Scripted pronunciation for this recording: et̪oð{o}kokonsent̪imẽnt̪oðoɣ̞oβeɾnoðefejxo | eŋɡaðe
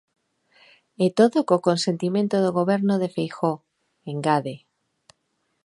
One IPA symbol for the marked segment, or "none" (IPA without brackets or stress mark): o